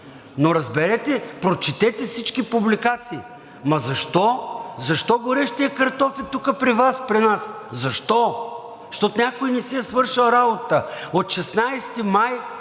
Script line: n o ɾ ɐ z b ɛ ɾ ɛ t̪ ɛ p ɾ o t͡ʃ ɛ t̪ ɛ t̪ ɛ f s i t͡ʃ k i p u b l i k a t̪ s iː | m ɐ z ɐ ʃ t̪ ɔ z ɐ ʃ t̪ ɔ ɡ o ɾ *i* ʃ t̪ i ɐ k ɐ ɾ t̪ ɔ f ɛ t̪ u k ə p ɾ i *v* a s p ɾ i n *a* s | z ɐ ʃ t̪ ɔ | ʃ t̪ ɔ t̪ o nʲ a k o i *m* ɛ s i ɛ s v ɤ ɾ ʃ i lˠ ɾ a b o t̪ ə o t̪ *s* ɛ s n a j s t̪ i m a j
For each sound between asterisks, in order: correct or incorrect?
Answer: incorrect: ɛ, correct, correct, incorrect: n, incorrect: ʃ

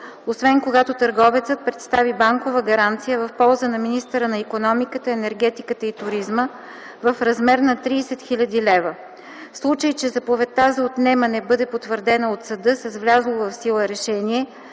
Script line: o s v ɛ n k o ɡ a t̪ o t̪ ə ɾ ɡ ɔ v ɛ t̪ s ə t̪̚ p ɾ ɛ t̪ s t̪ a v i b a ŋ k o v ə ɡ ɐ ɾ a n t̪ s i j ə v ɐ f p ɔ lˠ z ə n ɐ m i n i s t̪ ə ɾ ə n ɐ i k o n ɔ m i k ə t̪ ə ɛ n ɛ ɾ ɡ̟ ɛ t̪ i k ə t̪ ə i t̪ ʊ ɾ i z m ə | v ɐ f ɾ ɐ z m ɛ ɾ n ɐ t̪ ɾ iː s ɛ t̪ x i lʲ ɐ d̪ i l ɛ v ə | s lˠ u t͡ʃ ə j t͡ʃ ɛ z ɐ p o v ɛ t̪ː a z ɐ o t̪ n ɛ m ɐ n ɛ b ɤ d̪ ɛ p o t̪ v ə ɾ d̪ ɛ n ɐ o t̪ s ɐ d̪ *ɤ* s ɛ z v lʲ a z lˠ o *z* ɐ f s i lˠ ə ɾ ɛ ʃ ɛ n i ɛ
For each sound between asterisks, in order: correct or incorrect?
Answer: correct, incorrect: v

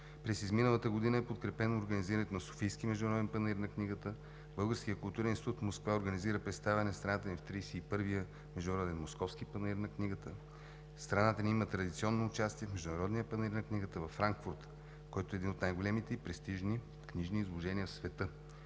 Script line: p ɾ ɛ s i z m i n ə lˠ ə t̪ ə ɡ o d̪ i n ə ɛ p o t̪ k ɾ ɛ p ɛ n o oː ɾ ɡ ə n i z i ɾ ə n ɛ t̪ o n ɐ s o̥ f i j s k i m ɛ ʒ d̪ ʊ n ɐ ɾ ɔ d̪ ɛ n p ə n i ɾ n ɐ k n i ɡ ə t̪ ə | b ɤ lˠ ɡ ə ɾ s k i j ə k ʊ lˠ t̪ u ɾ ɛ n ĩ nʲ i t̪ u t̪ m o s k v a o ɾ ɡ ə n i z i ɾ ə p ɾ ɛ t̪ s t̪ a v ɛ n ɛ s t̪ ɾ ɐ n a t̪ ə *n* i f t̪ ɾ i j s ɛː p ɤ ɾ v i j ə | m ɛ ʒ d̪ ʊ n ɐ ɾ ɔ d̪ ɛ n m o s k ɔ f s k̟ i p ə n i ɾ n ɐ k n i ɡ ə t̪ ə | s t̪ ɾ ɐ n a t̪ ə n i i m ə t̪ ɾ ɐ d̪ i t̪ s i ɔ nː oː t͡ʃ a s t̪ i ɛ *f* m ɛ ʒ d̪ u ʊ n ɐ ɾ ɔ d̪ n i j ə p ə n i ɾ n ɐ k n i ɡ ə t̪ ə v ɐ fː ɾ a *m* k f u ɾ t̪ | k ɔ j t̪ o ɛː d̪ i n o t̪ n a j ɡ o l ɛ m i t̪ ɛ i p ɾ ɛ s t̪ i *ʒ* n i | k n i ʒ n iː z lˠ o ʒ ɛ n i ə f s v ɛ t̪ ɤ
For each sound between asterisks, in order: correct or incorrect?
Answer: correct, correct, incorrect: ŋ, correct

